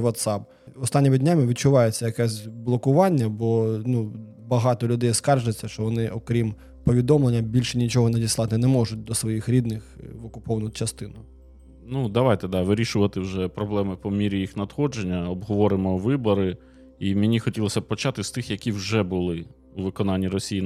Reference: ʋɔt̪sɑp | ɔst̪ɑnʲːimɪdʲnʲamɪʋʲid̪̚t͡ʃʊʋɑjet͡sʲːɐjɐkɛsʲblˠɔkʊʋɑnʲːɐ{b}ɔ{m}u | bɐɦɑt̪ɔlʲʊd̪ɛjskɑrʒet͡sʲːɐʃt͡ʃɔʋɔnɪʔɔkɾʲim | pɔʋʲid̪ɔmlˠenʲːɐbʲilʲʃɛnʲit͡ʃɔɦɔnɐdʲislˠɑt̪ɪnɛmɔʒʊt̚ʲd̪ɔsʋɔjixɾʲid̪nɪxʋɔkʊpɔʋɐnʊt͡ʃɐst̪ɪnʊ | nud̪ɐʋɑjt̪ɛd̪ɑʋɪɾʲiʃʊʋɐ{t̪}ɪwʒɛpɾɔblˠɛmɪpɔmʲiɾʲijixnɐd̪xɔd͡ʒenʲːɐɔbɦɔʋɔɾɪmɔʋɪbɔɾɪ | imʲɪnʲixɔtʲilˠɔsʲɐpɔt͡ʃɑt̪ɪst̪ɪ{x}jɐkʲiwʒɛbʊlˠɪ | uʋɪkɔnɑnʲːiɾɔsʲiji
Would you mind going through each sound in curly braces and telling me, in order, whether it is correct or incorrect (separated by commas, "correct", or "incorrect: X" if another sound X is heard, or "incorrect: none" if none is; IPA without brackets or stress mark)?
correct, incorrect: n, correct, correct